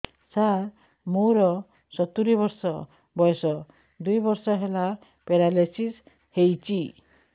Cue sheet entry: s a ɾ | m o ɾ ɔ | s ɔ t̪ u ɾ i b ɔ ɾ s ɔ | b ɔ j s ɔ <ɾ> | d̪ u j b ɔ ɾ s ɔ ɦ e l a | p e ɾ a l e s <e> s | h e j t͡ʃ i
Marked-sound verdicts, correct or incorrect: incorrect: none, incorrect: i

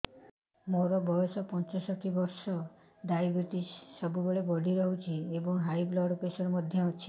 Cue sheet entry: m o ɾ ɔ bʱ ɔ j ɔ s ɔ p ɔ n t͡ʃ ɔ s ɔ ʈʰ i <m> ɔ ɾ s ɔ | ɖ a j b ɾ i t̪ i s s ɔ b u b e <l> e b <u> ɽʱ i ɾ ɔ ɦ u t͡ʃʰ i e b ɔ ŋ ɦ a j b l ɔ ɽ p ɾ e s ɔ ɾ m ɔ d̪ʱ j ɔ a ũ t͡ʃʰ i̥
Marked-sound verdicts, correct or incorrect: incorrect: b, incorrect: ɭ, incorrect: ɔ

